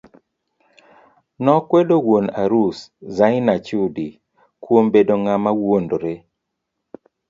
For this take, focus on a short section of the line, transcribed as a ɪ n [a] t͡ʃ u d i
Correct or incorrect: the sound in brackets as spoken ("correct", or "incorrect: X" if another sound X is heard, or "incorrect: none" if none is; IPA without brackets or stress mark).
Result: correct